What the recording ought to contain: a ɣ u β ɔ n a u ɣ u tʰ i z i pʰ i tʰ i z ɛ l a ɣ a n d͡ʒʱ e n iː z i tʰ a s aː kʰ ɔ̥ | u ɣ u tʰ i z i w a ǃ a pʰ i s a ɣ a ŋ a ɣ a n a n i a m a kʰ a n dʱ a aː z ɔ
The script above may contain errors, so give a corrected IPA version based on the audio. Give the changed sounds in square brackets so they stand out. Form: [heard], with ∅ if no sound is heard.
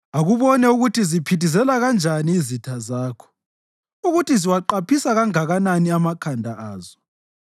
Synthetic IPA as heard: a ɣ u β ɔ n [ɛ] u ɣ u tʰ i z i pʰ i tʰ i z ɛ l a ɣ a n d͡ʒʱ [a] n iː z i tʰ a [z] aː kʰ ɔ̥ | u ɣ u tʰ i z i w a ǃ a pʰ i s a ɣ a ŋ a ɣ a n a n i a m a kʰ a n dʱ a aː z ɔ